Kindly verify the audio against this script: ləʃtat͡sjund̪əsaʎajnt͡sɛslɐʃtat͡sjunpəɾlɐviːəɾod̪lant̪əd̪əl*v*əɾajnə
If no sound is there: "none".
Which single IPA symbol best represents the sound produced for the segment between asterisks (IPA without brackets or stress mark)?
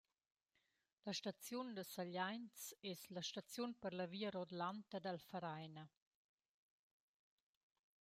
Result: f